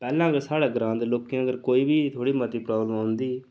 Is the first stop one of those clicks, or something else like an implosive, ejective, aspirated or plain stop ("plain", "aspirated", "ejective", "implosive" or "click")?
plain